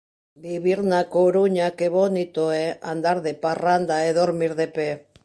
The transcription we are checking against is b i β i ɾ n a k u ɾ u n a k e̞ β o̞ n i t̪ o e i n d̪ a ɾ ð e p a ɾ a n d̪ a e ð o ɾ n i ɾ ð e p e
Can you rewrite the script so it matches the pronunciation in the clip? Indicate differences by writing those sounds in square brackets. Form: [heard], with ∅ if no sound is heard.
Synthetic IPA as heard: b i β i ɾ n a k [o] ɾ u [ɲ] a k e̞ β o̞ n i t̪ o e [a] n d̪ a ɾ ð e p a [r] a n d̪ a e ð o ɾ [m] i ɾ ð e p e